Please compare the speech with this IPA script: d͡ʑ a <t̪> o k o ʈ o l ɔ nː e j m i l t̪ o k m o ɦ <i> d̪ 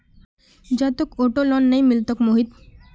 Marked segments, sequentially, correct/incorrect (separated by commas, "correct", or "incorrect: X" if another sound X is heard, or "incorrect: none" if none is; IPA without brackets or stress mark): correct, correct